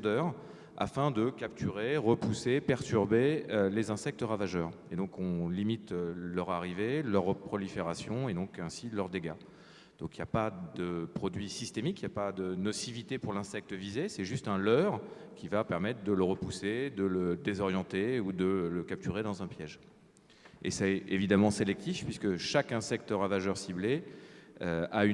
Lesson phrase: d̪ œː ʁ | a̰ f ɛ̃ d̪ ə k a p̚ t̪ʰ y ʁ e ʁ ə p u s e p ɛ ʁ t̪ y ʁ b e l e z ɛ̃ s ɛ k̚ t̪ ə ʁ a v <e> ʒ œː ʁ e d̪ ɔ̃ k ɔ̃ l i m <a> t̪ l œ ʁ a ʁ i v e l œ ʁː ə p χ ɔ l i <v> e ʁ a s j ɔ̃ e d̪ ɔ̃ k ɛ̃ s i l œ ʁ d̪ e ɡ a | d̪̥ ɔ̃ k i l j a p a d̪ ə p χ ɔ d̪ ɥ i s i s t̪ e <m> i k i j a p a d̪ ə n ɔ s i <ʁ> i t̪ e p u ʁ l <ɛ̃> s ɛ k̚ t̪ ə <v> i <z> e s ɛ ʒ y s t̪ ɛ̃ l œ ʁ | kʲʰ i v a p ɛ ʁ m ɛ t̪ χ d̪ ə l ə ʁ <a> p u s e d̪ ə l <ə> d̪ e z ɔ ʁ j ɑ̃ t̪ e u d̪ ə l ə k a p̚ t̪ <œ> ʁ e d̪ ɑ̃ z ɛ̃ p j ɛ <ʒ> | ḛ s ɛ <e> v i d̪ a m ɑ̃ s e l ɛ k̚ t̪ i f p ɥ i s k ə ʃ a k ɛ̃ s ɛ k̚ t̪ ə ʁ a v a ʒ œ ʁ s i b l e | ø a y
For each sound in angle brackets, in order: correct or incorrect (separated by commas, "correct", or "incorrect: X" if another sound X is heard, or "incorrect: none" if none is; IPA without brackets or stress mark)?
incorrect: a, incorrect: i, incorrect: f, correct, incorrect: v, correct, correct, correct, incorrect: ə, correct, incorrect: y, correct, correct